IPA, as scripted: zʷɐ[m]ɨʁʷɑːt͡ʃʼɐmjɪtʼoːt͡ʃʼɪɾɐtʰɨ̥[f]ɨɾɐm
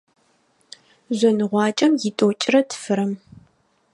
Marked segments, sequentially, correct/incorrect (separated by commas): incorrect, correct